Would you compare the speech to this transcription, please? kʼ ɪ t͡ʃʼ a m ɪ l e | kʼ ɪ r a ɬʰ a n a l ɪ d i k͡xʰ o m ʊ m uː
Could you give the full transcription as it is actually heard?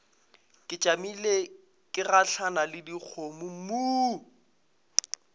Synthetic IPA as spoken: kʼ ɪ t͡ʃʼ a m i l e | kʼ ɪ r a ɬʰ a n a l ɪ d i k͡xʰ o m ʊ m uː

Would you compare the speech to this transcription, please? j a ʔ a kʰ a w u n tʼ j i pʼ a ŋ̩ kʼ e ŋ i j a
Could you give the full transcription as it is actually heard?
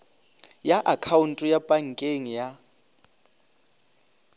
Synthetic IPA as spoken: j a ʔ a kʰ a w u n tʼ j a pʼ a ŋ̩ kʼ e ŋ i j a

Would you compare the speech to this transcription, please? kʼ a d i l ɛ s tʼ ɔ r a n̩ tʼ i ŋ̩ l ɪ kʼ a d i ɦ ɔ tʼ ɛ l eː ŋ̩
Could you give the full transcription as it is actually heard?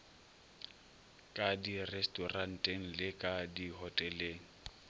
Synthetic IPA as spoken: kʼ a d i r ɛ s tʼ ɔ r a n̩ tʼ e ŋ̩ l ɪ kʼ a d i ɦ ɔ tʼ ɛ l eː ŋ̩

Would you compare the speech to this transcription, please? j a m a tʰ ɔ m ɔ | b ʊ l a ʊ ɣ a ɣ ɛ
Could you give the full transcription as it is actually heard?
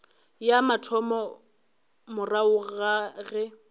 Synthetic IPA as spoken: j a m a tʰ ɔ m ɔ | m ʊ r a ʊ ɣ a ɣ ɛ

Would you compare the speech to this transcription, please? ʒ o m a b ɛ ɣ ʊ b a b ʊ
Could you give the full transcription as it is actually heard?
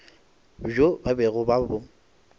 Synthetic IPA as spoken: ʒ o b a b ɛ ɣ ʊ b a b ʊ

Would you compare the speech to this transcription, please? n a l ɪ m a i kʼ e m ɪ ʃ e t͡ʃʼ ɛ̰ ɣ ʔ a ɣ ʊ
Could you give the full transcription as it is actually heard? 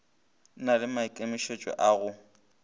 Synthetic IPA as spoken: n a l ɪ m a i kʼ e m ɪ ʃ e t͡ʃʼ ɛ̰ ʔ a ɣ ʊ

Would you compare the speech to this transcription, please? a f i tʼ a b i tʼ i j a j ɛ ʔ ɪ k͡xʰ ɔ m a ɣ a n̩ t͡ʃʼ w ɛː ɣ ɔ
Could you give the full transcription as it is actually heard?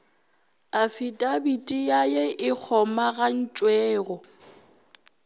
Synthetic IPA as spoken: a f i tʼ a b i tʼ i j a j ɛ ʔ ɪ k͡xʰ ɔ m a ɣ a n̩ t͡ʃʼ w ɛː ɣ ɔ

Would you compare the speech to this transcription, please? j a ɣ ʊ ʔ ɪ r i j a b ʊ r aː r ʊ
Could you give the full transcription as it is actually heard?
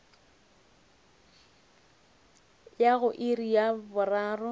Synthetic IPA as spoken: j a ɣ ʊ ʔ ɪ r i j a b ʊ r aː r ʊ

